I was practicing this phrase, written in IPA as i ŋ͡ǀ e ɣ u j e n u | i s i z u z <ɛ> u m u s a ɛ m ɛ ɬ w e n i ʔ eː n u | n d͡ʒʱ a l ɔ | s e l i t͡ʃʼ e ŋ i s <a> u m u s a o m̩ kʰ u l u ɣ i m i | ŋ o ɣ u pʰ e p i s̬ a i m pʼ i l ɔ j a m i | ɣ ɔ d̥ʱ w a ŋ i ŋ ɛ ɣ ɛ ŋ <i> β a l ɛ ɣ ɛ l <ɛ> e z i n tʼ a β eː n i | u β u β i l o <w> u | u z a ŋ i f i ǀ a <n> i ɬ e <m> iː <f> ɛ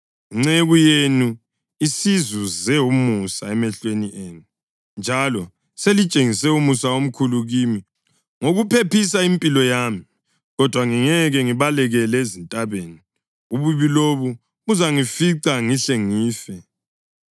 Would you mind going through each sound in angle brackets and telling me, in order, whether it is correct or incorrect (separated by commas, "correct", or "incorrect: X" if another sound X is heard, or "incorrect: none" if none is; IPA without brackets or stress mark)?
correct, incorrect: ɛ, correct, correct, incorrect: β, incorrect: ŋ, incorrect: ŋ, correct